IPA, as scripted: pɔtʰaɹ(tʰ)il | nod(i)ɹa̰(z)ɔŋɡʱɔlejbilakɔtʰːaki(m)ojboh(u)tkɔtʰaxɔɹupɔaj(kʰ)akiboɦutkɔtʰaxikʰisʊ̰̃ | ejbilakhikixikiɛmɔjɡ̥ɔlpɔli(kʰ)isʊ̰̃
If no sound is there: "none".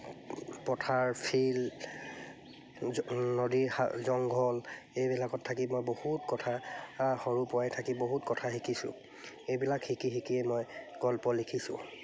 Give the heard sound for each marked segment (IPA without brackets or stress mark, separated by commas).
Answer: pʰ, i, z, m, u, tʰ, kʰ